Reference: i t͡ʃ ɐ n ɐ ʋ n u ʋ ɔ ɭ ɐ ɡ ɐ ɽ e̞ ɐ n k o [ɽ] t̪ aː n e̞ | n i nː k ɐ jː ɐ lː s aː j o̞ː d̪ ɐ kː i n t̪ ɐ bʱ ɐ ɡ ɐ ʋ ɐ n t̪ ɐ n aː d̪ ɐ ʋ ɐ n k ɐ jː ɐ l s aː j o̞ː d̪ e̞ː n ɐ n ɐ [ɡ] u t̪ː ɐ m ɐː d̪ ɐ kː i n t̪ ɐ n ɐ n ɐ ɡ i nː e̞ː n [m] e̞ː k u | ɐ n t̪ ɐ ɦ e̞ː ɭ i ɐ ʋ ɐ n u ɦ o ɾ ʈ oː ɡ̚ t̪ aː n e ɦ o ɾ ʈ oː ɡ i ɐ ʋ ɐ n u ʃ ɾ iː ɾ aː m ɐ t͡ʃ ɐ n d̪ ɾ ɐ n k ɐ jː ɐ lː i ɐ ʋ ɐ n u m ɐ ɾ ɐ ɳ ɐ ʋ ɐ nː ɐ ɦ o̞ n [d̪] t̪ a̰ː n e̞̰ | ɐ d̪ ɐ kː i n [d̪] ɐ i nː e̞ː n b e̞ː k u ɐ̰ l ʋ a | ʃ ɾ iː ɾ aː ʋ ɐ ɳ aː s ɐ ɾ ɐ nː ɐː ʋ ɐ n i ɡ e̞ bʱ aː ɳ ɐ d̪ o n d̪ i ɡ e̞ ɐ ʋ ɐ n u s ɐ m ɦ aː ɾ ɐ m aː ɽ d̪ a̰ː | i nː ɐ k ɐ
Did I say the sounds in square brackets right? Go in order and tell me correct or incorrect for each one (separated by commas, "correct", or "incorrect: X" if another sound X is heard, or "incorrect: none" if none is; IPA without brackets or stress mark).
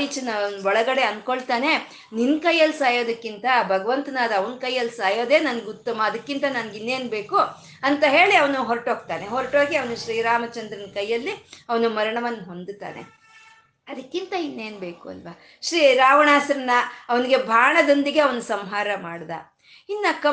incorrect: ɭ, correct, incorrect: b, correct, incorrect: t̪